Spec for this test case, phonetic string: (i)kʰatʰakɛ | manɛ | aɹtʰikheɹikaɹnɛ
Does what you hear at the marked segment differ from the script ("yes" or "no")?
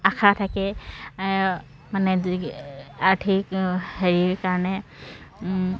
yes